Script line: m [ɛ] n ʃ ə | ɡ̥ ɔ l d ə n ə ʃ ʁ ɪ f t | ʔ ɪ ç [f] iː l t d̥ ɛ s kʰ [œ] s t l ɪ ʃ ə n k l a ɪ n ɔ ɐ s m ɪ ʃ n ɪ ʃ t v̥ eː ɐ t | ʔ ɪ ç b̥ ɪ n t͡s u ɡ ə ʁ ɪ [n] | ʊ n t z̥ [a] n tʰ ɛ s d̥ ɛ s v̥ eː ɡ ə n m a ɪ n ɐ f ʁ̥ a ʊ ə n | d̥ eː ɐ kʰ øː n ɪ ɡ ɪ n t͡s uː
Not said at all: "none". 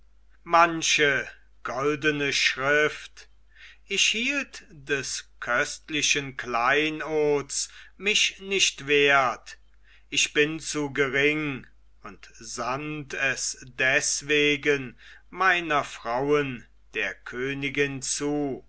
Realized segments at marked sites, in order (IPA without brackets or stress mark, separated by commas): a, h, œ, ŋ, a